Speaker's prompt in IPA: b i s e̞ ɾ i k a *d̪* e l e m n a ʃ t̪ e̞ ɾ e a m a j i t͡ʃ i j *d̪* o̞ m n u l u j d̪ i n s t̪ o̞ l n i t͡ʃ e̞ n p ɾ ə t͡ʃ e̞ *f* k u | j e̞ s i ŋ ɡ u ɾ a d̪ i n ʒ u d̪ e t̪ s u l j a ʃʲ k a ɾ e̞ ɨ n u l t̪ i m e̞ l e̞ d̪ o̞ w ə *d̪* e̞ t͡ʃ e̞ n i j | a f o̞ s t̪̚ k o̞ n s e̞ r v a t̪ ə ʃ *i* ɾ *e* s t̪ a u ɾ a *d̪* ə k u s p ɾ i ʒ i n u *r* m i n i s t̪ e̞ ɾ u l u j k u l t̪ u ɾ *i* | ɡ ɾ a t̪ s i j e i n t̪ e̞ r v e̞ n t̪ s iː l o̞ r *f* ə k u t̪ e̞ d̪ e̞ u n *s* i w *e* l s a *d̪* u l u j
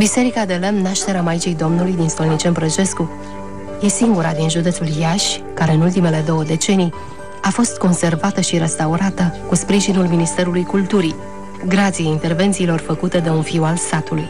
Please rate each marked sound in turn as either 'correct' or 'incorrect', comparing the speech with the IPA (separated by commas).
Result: correct, correct, incorrect, correct, correct, correct, incorrect, incorrect, correct, correct, incorrect, incorrect, incorrect